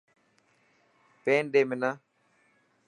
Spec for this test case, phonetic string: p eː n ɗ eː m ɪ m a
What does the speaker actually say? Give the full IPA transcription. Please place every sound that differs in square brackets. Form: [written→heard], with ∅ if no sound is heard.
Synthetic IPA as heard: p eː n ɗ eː m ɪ [m→n] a